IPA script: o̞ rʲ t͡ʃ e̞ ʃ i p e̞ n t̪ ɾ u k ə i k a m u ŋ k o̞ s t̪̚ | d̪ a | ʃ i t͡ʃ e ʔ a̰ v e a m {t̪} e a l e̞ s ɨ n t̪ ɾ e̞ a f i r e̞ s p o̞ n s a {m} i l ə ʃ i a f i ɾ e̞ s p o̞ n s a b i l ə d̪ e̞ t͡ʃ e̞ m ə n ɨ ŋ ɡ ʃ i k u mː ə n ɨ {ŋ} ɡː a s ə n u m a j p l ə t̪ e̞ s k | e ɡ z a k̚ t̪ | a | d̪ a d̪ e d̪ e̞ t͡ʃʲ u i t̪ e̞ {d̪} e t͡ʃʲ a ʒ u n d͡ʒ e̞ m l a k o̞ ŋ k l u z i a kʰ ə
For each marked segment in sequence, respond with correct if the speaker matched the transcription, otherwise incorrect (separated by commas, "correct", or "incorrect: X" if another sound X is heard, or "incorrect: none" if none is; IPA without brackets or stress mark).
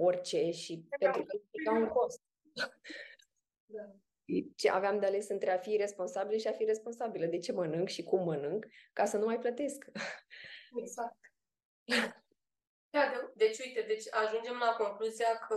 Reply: incorrect: d̪, incorrect: b, correct, correct